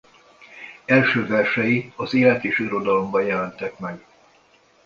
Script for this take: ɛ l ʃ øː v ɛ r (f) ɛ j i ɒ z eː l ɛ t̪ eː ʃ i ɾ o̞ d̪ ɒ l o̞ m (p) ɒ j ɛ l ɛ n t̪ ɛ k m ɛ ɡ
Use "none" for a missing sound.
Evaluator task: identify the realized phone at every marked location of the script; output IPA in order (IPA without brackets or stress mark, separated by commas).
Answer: ʃ, b